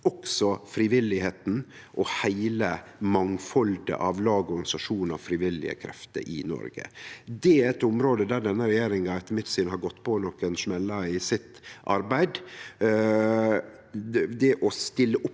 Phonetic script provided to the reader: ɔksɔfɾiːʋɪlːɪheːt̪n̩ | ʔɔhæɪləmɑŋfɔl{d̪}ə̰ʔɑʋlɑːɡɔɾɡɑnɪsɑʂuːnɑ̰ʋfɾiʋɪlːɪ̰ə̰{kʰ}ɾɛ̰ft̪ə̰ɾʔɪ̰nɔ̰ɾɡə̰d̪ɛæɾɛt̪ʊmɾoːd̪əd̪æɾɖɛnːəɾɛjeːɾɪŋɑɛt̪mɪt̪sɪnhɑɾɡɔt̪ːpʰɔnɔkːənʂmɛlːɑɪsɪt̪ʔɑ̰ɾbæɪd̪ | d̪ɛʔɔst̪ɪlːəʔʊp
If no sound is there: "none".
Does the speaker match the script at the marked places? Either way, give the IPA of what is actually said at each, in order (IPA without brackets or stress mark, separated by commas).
d̪, kʰ